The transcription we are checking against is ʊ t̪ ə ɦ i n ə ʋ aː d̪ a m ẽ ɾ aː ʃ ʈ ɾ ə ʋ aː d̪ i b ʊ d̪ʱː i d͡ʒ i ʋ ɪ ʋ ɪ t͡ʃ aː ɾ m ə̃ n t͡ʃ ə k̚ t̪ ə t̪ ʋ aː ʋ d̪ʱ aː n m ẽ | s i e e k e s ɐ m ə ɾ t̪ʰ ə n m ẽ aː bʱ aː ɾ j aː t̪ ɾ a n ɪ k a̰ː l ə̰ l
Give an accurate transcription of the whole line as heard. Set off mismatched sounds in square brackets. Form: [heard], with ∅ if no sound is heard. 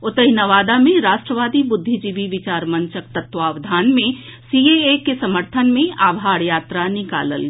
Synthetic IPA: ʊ t̪ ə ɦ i n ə ʋ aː d̪ a m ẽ ɾ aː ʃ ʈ ɾ ə ʋ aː d̪ i b ʊ d̪ʱː i d͡ʒ i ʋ [i] ʋ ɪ t͡ʃ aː ɾ m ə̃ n t͡ʃ ə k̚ t̪ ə t̪ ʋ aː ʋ d̪ʱ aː n m ẽ | s i e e k e s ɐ m ə ɾ t̪ʰ ə n m ẽ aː bʱ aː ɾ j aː t̪ ɾ a n ɪ k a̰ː l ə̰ l